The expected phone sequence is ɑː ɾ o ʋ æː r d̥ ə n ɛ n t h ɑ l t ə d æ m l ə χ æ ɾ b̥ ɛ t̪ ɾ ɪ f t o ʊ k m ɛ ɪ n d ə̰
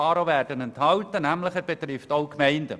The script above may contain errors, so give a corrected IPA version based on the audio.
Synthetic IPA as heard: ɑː ɾ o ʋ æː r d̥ ə n ɛ n t h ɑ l t ə n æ m l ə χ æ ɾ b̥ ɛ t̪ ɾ ɪ f t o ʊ k m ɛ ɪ n d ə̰